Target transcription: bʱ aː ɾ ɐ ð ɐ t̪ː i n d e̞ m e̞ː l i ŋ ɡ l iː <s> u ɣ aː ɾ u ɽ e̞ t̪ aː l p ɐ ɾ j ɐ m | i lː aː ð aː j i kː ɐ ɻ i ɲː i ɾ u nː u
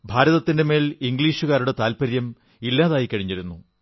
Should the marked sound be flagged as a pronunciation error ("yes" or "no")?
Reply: yes